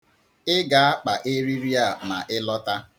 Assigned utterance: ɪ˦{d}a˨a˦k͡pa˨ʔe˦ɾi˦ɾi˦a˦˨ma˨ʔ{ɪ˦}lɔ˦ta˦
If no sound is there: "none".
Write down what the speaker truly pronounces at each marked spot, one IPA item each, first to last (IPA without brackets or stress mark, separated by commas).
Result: ɡ, ɪ˦